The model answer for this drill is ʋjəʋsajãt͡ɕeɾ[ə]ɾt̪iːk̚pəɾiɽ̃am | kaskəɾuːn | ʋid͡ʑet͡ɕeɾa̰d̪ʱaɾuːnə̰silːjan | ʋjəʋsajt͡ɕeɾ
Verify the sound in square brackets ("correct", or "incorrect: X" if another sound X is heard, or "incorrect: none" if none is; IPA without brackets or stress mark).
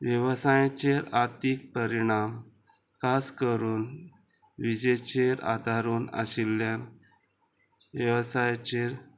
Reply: incorrect: a